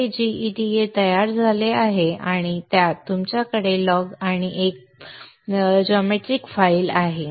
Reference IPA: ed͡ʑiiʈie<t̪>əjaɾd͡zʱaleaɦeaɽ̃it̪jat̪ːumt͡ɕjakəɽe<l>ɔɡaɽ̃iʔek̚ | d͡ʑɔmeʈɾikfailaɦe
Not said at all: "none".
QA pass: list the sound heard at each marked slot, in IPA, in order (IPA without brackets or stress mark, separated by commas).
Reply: t̪, l